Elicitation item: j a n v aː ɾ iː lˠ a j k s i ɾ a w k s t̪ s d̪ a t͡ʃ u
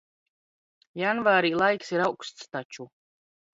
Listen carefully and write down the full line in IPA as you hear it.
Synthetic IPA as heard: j a n v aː ɾ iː lˠ a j k s i ɾ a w k s t̪ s t̪ a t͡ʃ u